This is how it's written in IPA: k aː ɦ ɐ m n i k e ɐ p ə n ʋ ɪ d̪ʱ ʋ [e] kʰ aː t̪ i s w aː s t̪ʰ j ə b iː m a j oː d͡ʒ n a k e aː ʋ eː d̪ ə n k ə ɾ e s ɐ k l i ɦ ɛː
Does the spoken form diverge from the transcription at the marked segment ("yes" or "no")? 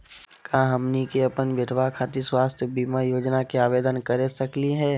yes